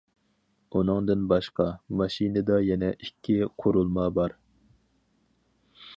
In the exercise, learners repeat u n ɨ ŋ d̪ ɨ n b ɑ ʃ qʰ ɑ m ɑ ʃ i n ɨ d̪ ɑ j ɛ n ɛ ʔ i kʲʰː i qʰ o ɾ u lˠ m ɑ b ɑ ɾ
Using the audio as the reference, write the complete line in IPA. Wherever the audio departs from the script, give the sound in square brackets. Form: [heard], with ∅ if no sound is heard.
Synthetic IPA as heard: u n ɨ ŋ d̪ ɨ n b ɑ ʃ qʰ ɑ m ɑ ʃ i n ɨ d̪ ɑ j ɛ n ɛ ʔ i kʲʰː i qʰ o ɾ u lˠ m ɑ b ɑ ɾ